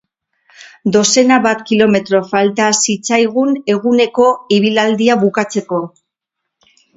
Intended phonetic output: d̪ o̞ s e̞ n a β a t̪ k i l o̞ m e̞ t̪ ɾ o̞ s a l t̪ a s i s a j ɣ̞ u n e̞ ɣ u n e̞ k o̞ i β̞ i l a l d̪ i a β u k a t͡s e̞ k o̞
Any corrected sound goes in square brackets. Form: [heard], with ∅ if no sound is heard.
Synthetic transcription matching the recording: d̪ o̞ s e̞ n a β a t̪ k i l o̞ m e̞ t̪ ɾ o̞ [f] a l t̪ a s i [t͡s] a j ɣ̞ u n e̞ ɣ u n e̞ k o̞ i β̞ i l a l d̪ i a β u k a t͡s e̞ k o̞

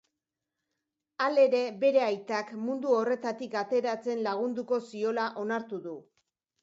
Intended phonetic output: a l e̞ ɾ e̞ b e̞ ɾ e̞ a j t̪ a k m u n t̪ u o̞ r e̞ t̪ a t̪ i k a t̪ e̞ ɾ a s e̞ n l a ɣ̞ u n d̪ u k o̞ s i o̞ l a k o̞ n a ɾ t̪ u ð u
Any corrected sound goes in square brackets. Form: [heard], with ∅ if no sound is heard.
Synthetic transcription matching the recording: a l e̞ ɾ e̞ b e̞ ɾ e̞ a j t̪ a k m u n [d̪] u o̞ r e̞ t̪ a t̪ i k a t̪ e̞ ɾ a [t͡s] e̞ n l a ɣ̞ u n d̪ u k o̞ s i o̞ l a [ʔ] o̞ n a ɾ t̪ u ð u

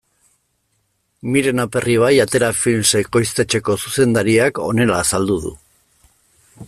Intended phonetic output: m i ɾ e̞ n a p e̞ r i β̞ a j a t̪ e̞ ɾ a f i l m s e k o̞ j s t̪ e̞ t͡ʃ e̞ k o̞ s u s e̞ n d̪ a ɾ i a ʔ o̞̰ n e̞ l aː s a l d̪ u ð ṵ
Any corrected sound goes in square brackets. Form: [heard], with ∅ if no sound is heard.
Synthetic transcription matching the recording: m i ɾ e̞ n a p e̞ r i β̞ a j a t̪ e̞ ɾ a f i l m s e k o̞ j s t̪ e̞ t͡ʃ e̞ k o̞ s u s e̞ n d̪ a ɾ i a [k] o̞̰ n e̞ l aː s a l d̪ u ð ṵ

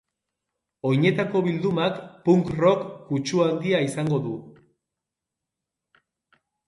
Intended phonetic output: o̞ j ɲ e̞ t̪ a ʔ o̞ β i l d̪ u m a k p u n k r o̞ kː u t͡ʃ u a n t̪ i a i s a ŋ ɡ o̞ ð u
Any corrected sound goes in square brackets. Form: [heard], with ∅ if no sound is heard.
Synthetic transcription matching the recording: o̞ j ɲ e̞ t̪ a [k] o̞ β i l d̪ u m a k p u [ŋ] k r o̞ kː u t͡ʃ u a n [d̪] i a i s a ŋ ɡ o̞ ð u

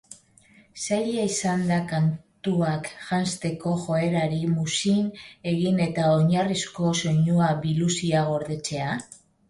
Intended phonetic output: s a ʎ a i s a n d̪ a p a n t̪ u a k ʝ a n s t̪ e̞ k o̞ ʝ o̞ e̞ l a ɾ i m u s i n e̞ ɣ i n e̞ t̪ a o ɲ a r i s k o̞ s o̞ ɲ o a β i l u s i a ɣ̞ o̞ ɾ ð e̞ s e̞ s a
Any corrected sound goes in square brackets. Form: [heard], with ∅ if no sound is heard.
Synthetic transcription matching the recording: s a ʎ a i s a n d̪ a [k] a n t̪ u a k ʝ a n s t̪ e̞ k o̞ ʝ o̞ e̞ [ɾ] a ɾ i m u s i n e̞ ɣ i n e̞ t̪ a o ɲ a r i s k o̞ s o̞ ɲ [u] a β i l u s i a ɣ̞ o̞ ɾ ð e̞ [t͡s] e̞ [∅] a

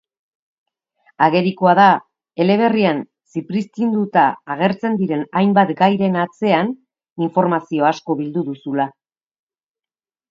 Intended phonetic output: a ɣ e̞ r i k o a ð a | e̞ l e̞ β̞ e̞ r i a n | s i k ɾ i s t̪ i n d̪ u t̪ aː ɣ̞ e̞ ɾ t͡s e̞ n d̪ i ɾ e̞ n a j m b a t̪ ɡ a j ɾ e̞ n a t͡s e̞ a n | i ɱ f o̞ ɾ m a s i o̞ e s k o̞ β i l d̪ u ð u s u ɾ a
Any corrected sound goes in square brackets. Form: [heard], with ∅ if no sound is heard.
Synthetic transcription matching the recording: a ɣ e̞ [ɾ] i k o a ð a | e̞ l e̞ β̞ e̞ r i a n | s i [p] ɾ i s t̪ i n d̪ u t̪ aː ɣ̞ e̞ ɾ t͡s e̞ n d̪ i ɾ e̞ n a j m b a t̪ ɡ a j ɾ e̞ n a t͡s e̞ a n | i ɱ f o̞ ɾ m a s i o̞ [a] s k o̞ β i l d̪ u ð u s u [l] a

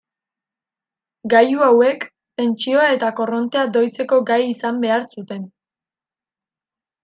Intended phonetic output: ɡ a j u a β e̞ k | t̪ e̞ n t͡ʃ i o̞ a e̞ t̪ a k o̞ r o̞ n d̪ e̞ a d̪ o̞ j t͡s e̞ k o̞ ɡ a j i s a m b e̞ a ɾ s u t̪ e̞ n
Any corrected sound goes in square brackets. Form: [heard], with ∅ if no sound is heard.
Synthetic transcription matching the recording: ɡ a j u a [w] e̞ k | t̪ e̞ n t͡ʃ i o̞ a e̞ t̪ a k o̞ r o̞ n [t̪] e̞ a d̪ o̞ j t͡s e̞ k o̞ ɡ a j i s a m b e̞ a ɾ s u t̪ e̞ n

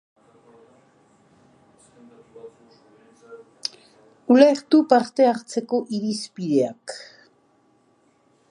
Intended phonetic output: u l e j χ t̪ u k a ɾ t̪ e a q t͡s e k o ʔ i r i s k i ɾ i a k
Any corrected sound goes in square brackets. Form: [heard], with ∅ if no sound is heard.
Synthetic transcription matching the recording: u l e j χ t̪ u [p] a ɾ t̪ e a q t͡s e k o ʔ i [ɾ] i s [p] i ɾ [e] a k

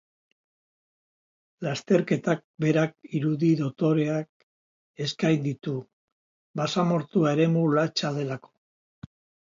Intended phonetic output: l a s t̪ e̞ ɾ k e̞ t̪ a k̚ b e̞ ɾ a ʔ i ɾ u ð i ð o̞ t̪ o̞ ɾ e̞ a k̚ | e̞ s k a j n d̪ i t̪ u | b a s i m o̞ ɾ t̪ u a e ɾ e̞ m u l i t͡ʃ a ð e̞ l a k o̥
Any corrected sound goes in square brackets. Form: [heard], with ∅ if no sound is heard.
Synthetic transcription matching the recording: l a s t̪ e̞ ɾ k e̞ t̪ a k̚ b e̞ ɾ a [k] i ɾ u ð i ð o̞ t̪ o̞ ɾ e̞ a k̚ | e̞ s k a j n d̪ i t̪ u | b a s [a] m o̞ ɾ t̪ u a e ɾ e̞ m u l [a] t͡ʃ a ð e̞ l a k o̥

